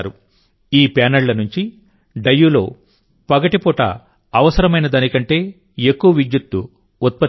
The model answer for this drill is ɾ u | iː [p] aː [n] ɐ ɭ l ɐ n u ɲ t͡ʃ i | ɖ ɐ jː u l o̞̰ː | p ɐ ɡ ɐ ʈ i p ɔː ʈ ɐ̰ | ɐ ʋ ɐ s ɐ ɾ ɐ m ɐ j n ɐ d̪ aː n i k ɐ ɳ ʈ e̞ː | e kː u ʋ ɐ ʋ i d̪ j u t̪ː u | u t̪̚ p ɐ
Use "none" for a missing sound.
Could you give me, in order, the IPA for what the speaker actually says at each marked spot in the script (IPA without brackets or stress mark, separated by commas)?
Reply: p, n